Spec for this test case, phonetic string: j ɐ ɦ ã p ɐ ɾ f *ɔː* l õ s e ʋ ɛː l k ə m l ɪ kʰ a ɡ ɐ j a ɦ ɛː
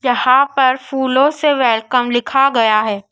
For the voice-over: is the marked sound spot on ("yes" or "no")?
no